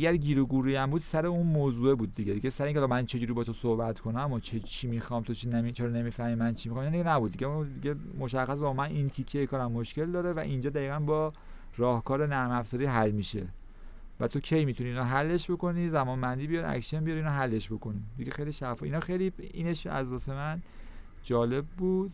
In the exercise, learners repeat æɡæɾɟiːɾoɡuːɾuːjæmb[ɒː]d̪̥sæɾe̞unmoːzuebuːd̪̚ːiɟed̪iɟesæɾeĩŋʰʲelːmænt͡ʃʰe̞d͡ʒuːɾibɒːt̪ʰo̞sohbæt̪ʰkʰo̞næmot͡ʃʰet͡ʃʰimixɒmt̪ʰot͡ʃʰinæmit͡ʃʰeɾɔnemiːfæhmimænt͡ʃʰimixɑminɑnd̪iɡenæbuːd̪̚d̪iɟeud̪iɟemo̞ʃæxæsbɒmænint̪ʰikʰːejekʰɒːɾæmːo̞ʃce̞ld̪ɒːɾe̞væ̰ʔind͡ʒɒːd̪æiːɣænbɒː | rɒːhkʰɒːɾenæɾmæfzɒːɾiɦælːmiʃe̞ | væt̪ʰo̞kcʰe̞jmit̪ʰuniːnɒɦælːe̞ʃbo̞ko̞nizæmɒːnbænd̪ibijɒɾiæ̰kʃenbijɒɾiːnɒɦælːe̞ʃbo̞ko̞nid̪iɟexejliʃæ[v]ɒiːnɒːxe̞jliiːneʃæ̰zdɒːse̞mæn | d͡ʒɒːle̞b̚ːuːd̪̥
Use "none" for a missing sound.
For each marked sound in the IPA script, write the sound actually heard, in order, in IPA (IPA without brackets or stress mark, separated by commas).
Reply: uː, f